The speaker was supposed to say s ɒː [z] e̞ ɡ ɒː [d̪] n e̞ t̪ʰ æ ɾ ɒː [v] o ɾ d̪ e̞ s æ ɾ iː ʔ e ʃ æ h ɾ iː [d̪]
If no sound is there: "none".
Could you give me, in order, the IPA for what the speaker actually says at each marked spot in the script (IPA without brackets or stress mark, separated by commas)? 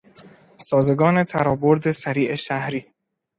z, none, b, none